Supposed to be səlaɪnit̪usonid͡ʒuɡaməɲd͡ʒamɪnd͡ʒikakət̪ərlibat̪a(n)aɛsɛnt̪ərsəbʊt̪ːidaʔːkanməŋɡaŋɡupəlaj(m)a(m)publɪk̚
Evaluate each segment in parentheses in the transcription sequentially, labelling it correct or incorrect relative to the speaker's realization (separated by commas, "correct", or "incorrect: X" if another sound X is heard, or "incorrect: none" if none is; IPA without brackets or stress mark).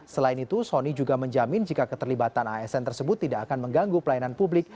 correct, incorrect: n, incorrect: n